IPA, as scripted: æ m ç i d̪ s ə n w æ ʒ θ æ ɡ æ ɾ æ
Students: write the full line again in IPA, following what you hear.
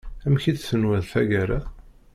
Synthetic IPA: æ m ç i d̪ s ə n w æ ð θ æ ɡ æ ɾ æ

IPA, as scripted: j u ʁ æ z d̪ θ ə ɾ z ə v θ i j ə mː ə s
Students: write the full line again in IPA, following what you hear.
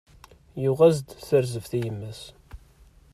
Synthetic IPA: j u ʁ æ z d̪ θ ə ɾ z ə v θ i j ə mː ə s

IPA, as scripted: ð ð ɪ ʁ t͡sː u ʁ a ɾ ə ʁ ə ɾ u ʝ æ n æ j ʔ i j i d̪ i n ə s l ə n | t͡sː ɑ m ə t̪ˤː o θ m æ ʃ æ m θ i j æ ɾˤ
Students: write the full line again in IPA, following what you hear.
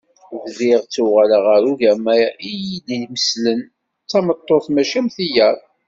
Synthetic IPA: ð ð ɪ ʁ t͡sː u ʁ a l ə ʁ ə ɾ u ʝ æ m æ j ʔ i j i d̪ i m ə s l ə n | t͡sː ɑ m ə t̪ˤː o θ m æ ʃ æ m θ i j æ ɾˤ

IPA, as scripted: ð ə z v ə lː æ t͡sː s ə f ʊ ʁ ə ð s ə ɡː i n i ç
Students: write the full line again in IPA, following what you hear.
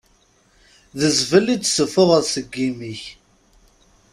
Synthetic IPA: ð ə z v ə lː i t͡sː s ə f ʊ ʁ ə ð s ə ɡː i m i ç

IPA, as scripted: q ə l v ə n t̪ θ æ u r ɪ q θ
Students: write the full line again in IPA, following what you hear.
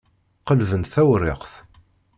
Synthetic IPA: q ə l v ə n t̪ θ æ w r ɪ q θ

